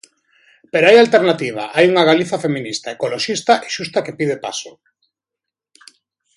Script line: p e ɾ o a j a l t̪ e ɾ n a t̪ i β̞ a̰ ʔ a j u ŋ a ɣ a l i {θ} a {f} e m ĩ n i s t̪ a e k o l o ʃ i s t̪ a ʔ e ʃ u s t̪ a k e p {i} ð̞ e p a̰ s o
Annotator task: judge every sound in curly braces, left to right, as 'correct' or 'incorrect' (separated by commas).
correct, correct, correct